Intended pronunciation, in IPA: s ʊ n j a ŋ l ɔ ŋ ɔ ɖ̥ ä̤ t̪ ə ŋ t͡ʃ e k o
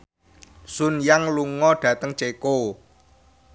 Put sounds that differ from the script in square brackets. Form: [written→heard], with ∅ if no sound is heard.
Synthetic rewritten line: s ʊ n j a ŋ l [ɔ→u] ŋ ɔ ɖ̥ ä̤ t̪ ə ŋ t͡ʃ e k o

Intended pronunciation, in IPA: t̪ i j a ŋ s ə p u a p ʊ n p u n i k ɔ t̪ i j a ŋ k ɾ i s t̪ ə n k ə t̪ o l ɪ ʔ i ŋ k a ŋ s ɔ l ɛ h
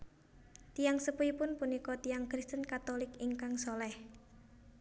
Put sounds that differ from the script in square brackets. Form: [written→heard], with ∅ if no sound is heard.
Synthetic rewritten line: t̪ i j a ŋ s ə p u [a→i] p ʊ n p u n i k ɔ t̪ i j a ŋ k ɾ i s t̪ ə n k [ə→a] t̪ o l ɪ [ʔ→k] i ŋ k a ŋ s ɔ l ɛ h

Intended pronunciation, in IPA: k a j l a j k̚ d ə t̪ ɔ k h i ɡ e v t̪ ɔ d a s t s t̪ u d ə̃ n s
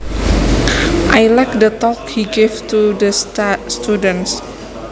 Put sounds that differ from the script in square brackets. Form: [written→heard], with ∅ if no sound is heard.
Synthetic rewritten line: [k→ʔ] a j l a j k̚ d ə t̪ ɔ k h i ɡ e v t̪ [ɔ→u] d [a→ə] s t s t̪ u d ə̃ n s

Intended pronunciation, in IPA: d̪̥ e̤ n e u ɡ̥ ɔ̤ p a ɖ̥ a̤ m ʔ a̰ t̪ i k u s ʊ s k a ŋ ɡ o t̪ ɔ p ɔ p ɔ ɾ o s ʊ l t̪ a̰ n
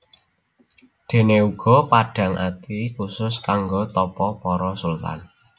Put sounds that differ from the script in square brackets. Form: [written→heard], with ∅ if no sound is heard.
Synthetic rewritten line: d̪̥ e̤ n e u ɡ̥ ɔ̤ p a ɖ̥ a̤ [m→ŋ] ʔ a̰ t̪ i k u s ʊ s k a ŋ ɡ o t̪ ɔ p ɔ p ɔ ɾ [o→ɔ] s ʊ l t̪ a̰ n

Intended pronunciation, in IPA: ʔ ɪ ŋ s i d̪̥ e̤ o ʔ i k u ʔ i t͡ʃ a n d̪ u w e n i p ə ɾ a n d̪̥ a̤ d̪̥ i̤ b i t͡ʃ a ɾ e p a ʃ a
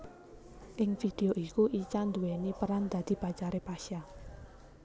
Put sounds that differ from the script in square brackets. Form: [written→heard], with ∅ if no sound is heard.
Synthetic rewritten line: ʔ ɪ ŋ [s→f] i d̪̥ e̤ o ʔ i k u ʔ i t͡ʃ a n d̪ u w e n i p ə ɾ a n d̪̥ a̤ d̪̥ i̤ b [i→a] t͡ʃ a ɾ e p a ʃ a

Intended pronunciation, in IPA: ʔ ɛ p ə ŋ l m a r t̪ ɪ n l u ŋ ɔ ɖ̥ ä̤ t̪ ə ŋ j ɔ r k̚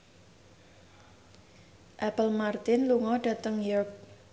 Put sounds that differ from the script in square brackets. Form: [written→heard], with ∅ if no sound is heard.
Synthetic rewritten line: ʔ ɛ p ə [ŋ→∅] l m a r t̪ ɪ n l u ŋ ɔ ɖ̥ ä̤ t̪ ə ŋ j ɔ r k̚

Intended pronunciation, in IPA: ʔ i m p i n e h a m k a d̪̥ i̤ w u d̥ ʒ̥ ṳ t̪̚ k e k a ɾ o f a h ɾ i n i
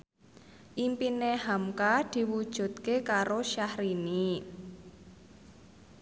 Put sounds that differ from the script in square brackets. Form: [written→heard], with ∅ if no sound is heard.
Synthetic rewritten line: ʔ i m p i n e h a m k a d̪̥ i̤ w u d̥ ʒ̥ ṳ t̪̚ k e k a ɾ o [f→ʃ] a h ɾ i n i

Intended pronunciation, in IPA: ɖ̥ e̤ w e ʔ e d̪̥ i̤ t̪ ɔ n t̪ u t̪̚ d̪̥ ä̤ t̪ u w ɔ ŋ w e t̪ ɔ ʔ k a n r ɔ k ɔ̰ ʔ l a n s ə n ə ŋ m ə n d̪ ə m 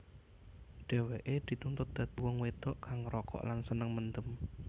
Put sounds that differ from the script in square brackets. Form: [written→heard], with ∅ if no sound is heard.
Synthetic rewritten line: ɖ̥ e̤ w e ʔ e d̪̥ i̤ t̪ [ɔ→u] n t̪ [u→ʊ] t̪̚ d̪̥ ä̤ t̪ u w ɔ ŋ w e t̪ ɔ ʔ k a [n→ŋ] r ɔ k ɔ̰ ʔ l a n s ə n ə ŋ m ə n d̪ ə m

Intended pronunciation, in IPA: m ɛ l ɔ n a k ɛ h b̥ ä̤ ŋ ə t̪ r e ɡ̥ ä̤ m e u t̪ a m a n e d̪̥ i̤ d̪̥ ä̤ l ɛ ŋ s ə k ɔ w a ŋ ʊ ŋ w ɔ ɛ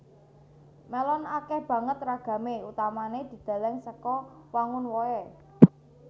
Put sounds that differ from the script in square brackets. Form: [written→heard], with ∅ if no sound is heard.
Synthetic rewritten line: m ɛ l ɔ n a k ɛ h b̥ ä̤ ŋ ə t̪ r [e→a] ɡ̥ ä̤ m e u t̪ a m a n e d̪̥ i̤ d̪̥ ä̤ l ɛ ŋ s ə k ɔ w a ŋ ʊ [ŋ→n] w ɔ ɛ

